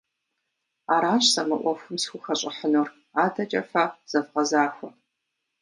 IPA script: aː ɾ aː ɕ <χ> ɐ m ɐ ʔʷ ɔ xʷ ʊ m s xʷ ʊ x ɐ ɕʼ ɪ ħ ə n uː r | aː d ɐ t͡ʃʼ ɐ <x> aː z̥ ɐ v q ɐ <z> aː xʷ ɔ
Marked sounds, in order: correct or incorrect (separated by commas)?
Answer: incorrect, incorrect, correct